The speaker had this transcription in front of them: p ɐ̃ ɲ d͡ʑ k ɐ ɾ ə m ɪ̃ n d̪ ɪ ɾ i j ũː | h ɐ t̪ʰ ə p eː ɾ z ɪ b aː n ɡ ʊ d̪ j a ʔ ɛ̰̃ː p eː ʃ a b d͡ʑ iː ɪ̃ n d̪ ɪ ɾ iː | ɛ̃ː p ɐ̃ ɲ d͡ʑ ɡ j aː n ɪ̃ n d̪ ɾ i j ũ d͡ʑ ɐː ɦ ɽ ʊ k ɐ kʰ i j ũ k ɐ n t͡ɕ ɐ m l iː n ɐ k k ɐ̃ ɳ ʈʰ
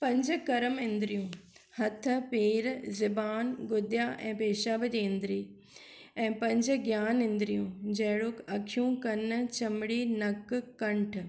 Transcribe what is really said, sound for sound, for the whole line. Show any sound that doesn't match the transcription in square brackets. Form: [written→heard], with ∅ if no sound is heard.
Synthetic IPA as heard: p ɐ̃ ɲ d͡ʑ k ɐ ɾ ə m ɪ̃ n d̪ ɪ ɾ i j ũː | h ɐ t̪ʰ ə p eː ɾ z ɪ b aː n ɡ ʊ d̪ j a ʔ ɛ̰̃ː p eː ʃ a b d͡ʑ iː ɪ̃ n d̪ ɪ ɾ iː | ɛ̃ː p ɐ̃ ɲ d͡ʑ ɡ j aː n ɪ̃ n d̪ ɾ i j ũ d͡ʑ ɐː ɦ ɽ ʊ k ɐ kʰ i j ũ k ɐ n t͡ɕ ɐ m [l→ɽ] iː n ɐ k k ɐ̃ ɳ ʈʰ